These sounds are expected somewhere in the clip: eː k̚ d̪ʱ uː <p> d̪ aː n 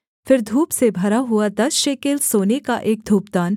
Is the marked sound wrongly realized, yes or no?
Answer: no